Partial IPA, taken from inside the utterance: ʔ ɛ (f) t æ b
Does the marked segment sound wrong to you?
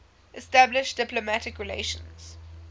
yes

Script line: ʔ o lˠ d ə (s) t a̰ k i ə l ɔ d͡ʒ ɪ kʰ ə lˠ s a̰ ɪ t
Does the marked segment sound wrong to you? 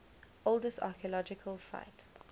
no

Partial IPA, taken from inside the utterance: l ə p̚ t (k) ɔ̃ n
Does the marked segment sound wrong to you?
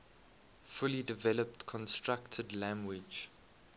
yes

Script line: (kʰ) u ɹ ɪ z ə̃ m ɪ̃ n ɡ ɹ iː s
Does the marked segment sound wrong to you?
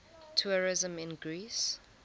yes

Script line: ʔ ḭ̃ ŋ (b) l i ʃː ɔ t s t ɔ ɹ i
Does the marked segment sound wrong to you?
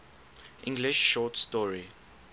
yes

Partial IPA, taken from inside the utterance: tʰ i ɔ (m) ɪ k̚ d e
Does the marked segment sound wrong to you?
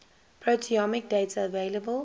no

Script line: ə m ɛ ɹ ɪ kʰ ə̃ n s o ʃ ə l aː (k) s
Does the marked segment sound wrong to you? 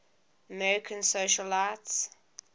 yes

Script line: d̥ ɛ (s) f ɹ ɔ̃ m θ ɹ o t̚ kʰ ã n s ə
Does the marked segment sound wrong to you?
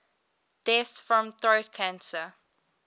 no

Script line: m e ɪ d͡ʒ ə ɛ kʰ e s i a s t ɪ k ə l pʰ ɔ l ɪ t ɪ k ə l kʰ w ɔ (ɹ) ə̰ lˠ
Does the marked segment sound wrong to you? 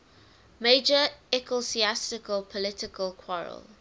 no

